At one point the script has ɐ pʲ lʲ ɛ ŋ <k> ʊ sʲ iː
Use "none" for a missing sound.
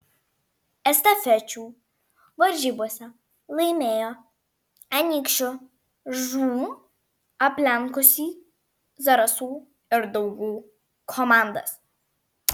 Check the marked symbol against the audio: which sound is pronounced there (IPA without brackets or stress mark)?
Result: k